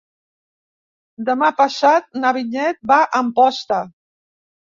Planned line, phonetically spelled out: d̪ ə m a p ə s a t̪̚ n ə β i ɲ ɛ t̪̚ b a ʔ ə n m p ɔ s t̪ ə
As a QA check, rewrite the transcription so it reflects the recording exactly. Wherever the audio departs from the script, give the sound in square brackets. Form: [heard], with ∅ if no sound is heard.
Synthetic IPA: d̪ ə m a p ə s a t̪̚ n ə β i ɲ ɛ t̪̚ b a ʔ ə [∅] m p ɔ s t̪ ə